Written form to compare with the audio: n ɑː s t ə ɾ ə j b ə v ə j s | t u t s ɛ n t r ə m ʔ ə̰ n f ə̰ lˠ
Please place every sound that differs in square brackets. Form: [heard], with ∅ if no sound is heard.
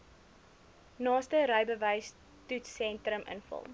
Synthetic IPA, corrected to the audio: n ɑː s t ə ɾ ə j b ə v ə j s | t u t s ɛ n t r ə m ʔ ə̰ n f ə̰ lˠ